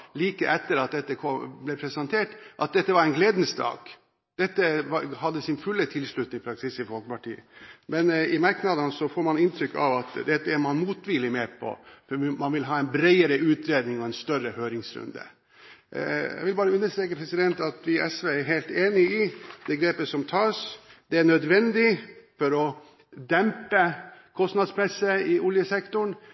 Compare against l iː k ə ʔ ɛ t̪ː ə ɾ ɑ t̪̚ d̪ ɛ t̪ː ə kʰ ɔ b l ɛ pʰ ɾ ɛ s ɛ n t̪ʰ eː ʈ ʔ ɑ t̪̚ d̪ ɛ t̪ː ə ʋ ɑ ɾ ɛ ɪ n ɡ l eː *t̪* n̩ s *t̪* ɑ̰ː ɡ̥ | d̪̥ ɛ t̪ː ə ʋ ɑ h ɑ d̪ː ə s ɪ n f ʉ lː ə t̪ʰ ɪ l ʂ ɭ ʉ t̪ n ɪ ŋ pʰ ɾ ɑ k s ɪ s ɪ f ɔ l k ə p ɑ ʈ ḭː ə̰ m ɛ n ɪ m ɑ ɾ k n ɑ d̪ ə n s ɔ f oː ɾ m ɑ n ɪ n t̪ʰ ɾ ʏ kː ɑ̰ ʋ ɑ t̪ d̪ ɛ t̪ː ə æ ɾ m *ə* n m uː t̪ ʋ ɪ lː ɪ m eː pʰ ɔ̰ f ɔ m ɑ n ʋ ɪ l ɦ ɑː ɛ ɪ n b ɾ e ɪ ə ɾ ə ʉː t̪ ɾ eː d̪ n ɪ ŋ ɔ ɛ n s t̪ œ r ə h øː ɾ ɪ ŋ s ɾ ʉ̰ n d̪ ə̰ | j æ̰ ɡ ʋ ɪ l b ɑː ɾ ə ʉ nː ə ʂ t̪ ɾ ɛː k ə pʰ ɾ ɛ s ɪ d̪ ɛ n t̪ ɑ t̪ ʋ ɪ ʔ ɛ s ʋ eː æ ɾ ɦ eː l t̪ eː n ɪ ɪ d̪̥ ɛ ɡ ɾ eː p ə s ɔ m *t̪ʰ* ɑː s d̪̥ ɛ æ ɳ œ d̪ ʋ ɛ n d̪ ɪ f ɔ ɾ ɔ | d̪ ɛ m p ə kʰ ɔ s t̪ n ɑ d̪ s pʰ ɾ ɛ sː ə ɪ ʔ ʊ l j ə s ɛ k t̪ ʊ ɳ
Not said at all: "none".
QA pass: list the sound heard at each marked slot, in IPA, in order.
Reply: d̪, d̪, ɑ, t̪ʰ

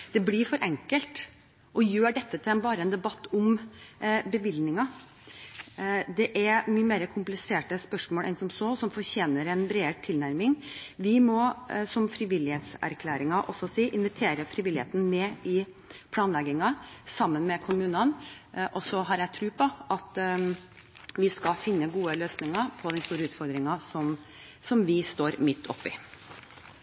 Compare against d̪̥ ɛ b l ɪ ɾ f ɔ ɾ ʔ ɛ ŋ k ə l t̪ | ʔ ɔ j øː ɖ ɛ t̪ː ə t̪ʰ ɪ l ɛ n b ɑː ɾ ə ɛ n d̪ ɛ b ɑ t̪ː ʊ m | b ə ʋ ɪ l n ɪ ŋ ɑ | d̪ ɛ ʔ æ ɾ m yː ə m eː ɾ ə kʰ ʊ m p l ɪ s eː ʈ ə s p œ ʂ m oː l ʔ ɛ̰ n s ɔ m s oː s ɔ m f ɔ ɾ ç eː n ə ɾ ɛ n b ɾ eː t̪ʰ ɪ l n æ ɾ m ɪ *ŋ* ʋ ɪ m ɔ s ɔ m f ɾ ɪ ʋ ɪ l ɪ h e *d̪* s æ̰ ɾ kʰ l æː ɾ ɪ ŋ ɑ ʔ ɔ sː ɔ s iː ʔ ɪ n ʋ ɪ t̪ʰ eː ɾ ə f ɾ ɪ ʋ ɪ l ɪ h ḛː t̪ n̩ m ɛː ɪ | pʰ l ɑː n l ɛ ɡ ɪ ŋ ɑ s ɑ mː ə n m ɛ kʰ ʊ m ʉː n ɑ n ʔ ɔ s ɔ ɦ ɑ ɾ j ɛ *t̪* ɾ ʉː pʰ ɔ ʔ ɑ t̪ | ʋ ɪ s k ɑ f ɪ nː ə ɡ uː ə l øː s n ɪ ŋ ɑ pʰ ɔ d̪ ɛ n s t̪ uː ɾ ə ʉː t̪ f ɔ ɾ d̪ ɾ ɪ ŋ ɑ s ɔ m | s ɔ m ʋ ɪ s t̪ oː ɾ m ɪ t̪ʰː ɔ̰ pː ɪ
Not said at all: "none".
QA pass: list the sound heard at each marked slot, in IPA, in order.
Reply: ŋ, t̪, t̪ʰ

